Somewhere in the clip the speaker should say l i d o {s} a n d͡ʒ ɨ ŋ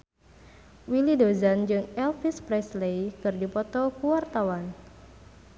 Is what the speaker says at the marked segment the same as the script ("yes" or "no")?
no